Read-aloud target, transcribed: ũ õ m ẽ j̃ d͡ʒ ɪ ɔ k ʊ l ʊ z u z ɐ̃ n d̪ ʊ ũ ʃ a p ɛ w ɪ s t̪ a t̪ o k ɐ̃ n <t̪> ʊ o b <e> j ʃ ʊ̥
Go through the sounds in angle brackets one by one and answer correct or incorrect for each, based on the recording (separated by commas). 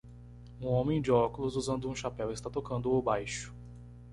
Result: incorrect, incorrect